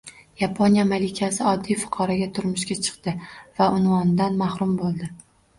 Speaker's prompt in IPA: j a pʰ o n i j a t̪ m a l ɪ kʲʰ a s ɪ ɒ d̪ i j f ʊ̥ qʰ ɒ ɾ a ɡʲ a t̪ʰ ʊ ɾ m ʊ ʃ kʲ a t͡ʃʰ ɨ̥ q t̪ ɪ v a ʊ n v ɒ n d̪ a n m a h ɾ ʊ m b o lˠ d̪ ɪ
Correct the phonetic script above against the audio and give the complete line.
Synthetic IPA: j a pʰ o n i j a m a l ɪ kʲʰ a s ɪ ɒ d̪ː i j f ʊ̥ qʰ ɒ ɾ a ɡʲ a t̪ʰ ʊ ɾ m ʊ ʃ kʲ a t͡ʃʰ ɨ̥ q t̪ ɪ v a ʊ n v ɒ n d̪ a n m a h ɾ ʊ m b o lˠ d̪ ɪ